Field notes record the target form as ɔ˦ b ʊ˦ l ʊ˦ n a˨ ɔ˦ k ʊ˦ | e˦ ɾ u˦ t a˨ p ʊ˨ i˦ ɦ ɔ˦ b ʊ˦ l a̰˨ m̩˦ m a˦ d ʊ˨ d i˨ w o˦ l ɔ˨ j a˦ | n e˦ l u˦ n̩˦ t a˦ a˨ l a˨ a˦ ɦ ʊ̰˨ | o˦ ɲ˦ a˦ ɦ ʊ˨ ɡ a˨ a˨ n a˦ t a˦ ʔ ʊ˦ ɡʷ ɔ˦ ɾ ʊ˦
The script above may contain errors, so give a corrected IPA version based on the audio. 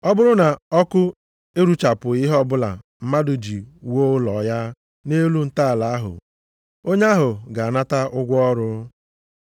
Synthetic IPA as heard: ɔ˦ b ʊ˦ ɾ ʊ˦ n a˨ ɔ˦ k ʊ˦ | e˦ ɾ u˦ t͡ʃ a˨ p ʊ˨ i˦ ɦ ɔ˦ b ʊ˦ l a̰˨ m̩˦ m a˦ d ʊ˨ d͡ʒ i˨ w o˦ l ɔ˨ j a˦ | n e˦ l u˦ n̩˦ t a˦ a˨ l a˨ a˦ ɦ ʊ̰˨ | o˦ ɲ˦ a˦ ɦ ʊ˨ ɡ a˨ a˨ n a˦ t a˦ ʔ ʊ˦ ɡʷ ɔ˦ ɾ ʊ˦

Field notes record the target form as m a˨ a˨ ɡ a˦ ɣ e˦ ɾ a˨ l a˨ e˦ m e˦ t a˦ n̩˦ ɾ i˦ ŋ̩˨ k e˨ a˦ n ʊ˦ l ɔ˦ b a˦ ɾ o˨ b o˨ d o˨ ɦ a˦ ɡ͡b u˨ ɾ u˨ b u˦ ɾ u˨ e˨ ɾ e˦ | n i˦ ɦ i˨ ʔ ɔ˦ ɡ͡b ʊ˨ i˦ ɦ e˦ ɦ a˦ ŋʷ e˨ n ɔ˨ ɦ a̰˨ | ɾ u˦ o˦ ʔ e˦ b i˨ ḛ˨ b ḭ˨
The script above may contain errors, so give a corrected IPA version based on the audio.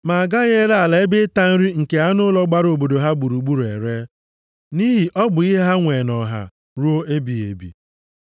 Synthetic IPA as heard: m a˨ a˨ ɡ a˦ ɣ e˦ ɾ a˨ l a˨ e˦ b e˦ t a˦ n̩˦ ɾ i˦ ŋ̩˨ k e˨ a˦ n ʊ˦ l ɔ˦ ɡ͡b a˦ ɾ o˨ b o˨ d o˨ ɦ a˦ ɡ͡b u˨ ɾ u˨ ɡ͡b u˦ ɾ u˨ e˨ ɾ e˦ | n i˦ ɦ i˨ ʔ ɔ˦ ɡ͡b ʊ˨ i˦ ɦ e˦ ɦ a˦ ŋʷ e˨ n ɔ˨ ɦ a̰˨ | ɾ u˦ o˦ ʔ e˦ b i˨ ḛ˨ b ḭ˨

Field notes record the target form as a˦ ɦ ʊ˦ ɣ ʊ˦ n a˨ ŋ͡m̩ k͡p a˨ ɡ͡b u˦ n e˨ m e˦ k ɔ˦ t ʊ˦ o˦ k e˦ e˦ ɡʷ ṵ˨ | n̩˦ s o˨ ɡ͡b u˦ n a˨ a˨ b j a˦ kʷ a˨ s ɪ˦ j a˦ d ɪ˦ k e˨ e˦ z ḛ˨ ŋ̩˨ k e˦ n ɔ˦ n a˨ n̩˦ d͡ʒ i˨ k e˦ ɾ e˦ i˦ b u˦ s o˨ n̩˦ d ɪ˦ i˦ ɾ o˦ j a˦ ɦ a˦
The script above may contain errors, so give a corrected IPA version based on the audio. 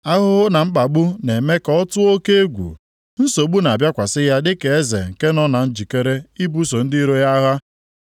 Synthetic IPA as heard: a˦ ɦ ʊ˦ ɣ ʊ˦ n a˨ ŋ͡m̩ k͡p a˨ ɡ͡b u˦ n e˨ m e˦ k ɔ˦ t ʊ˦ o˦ k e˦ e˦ ɡʷ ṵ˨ | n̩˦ s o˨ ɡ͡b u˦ n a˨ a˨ b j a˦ kʷ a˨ s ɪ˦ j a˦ d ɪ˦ k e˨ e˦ z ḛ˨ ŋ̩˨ k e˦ n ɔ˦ n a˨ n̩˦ d͡ʒ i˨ k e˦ ɾ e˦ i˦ b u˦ s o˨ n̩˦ d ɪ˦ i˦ ɾ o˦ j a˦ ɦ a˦

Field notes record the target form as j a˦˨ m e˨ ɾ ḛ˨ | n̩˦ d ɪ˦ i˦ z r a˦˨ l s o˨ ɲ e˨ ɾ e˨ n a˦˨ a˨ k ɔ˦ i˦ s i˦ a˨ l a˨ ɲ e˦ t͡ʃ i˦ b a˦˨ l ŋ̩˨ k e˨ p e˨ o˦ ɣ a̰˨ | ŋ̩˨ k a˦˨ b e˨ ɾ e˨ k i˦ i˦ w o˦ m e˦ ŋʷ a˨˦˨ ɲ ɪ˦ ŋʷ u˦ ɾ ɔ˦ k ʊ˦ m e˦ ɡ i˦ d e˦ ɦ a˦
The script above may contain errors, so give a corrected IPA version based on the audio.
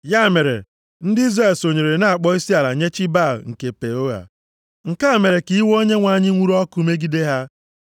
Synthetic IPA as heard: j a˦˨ m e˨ ɾ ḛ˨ | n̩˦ d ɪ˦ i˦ z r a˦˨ l s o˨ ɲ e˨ ɾ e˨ n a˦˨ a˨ k͡p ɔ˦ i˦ s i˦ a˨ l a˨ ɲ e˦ t͡ʃ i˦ b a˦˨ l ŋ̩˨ k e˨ p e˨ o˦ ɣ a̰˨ | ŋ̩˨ k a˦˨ m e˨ ɾ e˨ k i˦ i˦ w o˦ ɲ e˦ ŋʷ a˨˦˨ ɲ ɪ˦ ŋʷ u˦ ɾ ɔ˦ k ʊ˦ m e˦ ɡ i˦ d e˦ ɦ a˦

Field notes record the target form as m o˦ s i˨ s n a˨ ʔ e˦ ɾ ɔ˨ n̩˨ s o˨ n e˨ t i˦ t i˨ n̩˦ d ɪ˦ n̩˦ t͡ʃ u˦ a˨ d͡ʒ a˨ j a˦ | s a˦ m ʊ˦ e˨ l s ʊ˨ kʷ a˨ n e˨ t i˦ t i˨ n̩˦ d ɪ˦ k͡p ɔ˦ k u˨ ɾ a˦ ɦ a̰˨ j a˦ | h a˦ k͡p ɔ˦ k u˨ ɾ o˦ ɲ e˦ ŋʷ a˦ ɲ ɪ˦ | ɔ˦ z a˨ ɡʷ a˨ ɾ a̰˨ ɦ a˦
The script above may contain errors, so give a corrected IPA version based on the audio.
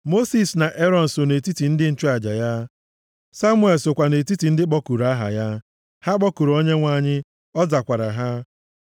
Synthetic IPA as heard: m o˦ s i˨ s n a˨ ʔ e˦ ɾ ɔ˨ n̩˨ s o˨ n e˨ t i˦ t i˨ n̩˦ d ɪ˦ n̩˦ t͡ʃ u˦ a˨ d͡ʒ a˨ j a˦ | s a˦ m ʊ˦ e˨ l s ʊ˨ kʷ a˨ n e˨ t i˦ t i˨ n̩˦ d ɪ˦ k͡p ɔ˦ k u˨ ɾ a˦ ɦ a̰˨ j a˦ | h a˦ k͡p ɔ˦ k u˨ ɾ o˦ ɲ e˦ ŋʷ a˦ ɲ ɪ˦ | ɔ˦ z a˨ kʷ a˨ ɾ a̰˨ ɦ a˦

